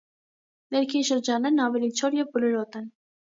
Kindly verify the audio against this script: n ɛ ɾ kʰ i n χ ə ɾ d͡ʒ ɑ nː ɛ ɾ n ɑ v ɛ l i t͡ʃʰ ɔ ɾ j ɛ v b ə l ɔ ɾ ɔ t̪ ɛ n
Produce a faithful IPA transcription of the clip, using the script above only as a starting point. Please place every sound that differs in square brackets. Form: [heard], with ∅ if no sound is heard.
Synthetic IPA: n ɛ ɾ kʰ i n [ʃ] ə ɾ d͡ʒ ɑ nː ɛ ɾ n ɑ v ɛ l i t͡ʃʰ ɔ ɾ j ɛ v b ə l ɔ ɾ ɔ t̪ ɛ n